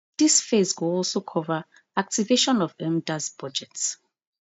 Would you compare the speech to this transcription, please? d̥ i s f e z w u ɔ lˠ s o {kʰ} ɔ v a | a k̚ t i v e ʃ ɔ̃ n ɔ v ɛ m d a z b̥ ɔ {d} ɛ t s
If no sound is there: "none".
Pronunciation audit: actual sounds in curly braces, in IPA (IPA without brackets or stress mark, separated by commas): kʰ, d͡ʒ